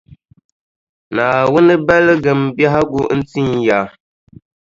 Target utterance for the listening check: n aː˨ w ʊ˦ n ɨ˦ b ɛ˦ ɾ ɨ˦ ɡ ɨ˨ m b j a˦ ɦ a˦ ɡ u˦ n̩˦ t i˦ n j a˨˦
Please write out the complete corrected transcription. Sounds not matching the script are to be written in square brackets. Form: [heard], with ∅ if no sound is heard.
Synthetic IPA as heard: n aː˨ w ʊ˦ n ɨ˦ b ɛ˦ [l] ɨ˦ ɡ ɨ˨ m b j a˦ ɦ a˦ ɡ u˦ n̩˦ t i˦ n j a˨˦